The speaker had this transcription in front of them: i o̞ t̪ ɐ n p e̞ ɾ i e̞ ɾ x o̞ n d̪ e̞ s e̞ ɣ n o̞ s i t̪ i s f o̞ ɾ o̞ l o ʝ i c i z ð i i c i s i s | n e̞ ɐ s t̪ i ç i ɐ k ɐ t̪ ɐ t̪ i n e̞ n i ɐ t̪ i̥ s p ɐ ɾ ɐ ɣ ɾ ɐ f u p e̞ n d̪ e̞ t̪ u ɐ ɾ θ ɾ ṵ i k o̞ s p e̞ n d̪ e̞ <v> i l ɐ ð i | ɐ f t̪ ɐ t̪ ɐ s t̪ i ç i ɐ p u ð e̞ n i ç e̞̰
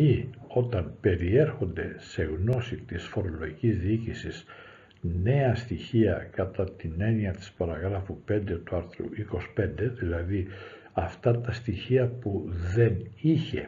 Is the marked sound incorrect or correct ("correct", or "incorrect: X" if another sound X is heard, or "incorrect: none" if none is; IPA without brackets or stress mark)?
incorrect: ð